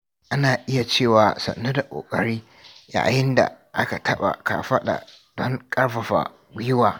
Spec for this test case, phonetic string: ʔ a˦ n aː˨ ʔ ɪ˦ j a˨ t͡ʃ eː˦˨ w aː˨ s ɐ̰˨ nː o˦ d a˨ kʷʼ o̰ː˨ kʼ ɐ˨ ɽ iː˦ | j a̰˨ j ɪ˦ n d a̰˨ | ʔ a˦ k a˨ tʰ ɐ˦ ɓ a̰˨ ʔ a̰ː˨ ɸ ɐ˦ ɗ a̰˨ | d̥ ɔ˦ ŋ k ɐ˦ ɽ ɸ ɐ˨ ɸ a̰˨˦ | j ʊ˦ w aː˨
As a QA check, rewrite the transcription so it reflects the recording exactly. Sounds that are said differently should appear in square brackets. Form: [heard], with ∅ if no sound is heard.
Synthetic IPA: ʔ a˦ n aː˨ ʔ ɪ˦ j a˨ t͡ʃ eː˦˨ w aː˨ s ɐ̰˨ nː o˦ d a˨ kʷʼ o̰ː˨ kʼ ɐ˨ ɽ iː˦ | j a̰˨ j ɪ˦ n d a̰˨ | ʔ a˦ k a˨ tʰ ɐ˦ ɓ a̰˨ [k] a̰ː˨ ɸ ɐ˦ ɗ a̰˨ | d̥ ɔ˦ ŋ [kʼ] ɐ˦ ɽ ɸ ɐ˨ ɸ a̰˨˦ | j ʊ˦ w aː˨